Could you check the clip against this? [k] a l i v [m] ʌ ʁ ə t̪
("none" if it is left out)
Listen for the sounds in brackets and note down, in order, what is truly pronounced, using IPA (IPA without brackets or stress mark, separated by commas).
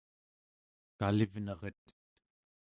k, n